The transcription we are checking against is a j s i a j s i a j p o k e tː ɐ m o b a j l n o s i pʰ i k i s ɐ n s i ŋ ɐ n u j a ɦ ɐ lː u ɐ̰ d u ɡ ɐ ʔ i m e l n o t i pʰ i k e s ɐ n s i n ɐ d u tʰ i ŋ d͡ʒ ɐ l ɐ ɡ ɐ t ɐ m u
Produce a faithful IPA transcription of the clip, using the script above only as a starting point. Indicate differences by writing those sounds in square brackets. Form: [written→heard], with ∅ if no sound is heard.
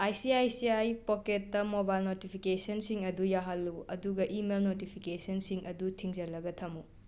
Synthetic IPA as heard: a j s i a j s i a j p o k e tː ɐ m o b a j l n o [s→t] i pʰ i k [i→e] s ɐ n s i ŋ ɐ [n→d] u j a ɦ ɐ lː u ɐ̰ d u ɡ ɐ ʔ i m e l n o t i pʰ i k e s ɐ n s i [n→ŋ] ɐ d u tʰ i ŋ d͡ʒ ɐ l ɐ ɡ ɐ [t→tʰ] ɐ m u